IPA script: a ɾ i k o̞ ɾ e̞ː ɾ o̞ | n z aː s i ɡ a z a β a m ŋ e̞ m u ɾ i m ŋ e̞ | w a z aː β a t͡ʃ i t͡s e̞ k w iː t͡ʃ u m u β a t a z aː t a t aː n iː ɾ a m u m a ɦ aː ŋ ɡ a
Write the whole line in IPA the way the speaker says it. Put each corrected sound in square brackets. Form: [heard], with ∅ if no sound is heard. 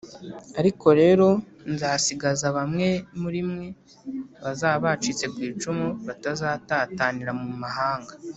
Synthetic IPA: a ɾ i k o̞ ɾ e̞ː ɾ o̞ | n z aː s i ɡ a z a β a m ŋ e̞ m u ɾ i m ŋ e̞ | [β] a z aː β a t͡ʃ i t͡s e̞ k w iː t͡ʃ u m u β a t a z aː t a t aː n [i] ɾ a m u m a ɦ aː ŋ ɡ a